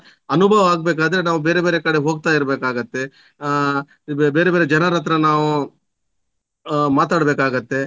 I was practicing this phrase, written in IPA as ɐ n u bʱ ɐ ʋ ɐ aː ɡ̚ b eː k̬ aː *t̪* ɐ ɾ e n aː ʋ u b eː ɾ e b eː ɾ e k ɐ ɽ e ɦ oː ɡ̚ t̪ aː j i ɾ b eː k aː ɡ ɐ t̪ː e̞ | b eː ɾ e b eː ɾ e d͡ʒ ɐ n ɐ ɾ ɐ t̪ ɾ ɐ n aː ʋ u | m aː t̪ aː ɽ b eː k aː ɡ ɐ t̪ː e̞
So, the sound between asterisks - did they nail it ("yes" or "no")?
no